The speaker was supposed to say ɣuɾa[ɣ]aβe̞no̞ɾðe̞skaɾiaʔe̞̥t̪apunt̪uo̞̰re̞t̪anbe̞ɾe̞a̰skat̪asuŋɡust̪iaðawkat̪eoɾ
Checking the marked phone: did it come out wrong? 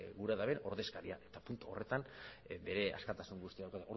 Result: yes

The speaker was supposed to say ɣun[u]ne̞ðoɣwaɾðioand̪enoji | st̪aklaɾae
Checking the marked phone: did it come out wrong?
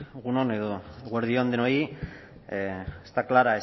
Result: yes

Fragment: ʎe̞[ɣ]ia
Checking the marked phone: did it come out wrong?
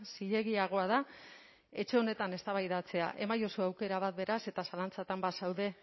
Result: no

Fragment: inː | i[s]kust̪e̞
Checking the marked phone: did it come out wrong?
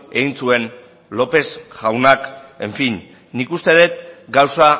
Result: yes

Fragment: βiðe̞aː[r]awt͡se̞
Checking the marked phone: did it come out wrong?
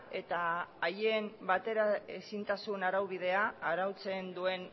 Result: yes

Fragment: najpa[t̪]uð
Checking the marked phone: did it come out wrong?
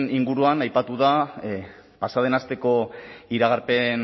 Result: no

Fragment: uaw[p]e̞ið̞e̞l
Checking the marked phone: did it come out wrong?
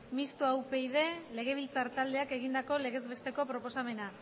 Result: no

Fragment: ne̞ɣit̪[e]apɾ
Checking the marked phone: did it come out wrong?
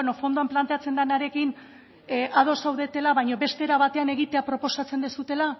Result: no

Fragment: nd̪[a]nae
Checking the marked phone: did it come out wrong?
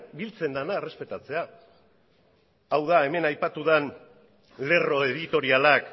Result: no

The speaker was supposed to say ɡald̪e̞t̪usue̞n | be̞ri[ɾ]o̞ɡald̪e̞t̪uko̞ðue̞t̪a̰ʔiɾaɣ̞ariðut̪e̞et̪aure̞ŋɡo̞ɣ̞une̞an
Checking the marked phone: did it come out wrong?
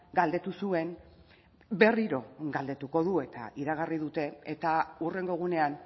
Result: no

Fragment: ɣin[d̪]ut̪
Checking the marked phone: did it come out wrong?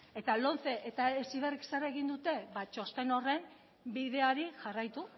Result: no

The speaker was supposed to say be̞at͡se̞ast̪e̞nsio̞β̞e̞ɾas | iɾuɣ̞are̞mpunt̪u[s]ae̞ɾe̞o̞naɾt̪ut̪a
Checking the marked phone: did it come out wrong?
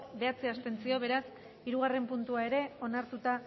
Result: yes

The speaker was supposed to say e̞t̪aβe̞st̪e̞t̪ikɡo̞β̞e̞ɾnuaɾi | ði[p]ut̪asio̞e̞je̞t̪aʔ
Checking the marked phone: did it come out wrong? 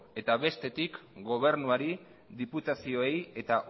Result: no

